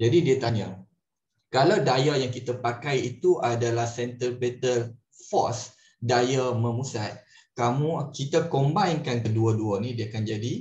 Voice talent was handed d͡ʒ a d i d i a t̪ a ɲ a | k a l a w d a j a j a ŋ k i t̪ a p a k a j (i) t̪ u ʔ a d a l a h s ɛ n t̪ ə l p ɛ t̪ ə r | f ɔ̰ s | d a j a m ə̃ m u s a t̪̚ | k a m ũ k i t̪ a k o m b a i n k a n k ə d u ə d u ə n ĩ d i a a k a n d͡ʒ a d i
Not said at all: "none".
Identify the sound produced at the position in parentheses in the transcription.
i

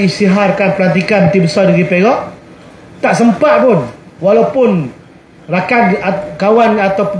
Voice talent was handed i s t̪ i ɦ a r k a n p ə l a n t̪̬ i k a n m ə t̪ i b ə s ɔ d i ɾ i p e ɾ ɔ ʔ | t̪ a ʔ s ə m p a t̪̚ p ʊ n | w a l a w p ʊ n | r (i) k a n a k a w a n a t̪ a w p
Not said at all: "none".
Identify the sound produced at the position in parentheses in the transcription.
a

